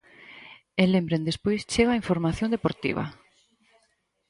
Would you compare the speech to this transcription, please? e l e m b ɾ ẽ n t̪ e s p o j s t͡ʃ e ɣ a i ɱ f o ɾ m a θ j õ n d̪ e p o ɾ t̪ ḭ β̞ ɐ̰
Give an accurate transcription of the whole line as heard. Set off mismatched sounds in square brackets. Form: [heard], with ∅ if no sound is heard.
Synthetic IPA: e l e m b ɾ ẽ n [d̪] e s p o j s t͡ʃ e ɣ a i ɱ f o ɾ m a θ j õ n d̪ e p o ɾ t̪ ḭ β̞ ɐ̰